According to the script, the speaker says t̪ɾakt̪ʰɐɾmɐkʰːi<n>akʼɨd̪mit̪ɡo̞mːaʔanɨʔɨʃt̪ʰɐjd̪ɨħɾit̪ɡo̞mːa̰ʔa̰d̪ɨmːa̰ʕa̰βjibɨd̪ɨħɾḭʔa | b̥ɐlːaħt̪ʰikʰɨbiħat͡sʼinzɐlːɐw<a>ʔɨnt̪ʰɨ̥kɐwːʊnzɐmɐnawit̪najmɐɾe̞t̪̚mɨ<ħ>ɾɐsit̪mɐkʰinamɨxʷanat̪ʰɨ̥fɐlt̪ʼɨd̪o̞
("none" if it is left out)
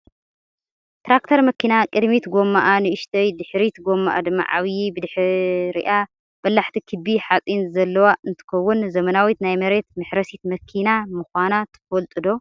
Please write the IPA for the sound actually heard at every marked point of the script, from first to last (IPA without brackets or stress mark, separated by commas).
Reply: n, a, ħ